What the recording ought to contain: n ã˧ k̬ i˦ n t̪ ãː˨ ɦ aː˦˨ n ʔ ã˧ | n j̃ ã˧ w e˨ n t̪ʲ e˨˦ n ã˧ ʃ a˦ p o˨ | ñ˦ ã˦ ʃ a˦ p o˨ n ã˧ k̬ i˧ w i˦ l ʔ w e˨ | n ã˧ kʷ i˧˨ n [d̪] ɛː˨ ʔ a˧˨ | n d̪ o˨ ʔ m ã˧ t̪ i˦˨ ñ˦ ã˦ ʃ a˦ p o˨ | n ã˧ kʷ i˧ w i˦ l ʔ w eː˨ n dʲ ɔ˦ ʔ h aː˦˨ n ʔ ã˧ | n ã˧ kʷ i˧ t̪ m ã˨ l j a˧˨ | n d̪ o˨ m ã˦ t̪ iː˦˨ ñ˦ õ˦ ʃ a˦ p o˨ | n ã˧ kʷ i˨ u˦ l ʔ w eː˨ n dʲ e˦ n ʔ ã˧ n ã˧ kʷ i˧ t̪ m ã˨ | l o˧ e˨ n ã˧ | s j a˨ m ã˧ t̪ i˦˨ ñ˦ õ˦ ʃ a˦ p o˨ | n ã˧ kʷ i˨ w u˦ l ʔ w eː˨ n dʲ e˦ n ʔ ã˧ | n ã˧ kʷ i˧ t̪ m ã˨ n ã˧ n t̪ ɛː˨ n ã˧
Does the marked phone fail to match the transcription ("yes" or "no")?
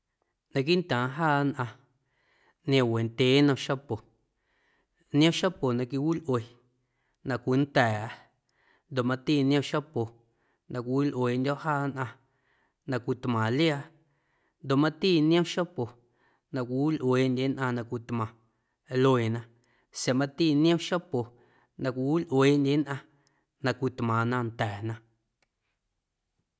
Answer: yes